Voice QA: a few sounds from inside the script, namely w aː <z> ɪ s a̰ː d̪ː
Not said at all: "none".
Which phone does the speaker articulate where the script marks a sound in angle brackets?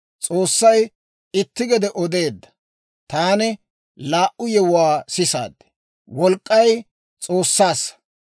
s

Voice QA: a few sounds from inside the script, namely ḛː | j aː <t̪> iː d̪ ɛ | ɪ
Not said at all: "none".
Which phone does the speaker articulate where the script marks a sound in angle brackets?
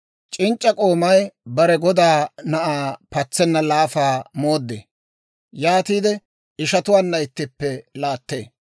t̪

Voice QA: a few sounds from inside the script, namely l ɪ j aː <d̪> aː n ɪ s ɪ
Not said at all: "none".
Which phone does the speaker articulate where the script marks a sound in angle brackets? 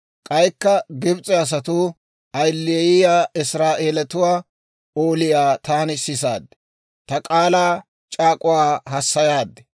t̪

